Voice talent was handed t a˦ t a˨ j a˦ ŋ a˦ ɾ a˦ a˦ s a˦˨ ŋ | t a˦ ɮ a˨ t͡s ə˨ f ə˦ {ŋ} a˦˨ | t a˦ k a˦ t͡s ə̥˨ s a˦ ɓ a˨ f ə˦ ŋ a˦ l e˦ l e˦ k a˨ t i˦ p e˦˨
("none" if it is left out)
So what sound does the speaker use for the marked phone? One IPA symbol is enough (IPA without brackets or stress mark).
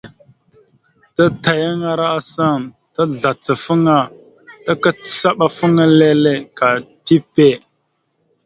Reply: ŋ